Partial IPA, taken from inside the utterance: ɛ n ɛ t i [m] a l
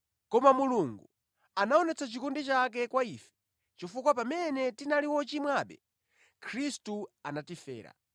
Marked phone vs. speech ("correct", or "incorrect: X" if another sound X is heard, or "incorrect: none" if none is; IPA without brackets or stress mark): incorrect: n